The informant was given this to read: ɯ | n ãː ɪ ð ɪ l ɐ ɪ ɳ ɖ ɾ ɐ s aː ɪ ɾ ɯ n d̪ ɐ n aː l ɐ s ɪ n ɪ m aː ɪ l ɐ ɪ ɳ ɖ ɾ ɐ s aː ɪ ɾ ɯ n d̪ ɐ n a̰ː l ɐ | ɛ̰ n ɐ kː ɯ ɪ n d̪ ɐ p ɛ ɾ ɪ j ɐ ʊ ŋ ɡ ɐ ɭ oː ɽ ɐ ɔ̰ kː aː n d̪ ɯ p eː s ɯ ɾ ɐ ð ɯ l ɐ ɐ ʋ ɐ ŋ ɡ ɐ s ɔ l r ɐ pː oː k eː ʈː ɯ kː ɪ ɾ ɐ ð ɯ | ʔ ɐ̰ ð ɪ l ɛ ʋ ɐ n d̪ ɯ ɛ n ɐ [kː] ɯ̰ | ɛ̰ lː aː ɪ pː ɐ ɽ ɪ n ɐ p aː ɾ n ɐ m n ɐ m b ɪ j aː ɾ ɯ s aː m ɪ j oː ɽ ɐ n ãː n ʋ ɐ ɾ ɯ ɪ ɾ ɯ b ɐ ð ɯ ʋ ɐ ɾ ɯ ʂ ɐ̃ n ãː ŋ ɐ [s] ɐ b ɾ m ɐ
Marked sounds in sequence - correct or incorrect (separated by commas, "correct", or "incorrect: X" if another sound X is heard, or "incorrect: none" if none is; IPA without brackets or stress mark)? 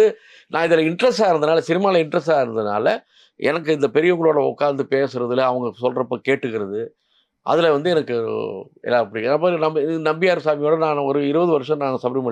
correct, correct